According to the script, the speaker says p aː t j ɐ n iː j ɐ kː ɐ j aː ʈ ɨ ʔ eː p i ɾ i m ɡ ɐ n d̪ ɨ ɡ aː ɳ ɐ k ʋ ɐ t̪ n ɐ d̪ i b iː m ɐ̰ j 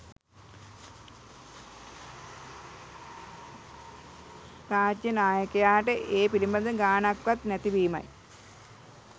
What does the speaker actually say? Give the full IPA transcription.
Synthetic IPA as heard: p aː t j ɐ n aː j ɐ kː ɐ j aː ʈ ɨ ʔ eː p i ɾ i m b ɐ n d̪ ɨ ɡ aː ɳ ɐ k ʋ ɐ t̪ n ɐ t̪ i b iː m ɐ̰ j